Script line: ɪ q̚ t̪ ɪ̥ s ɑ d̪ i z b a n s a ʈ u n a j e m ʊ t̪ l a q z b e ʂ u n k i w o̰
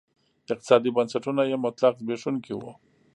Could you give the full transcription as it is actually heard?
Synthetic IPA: ɪ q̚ t̪ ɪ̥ s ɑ d̪ i b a n s a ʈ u n a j e m ʊ t̪ l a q z b e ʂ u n k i w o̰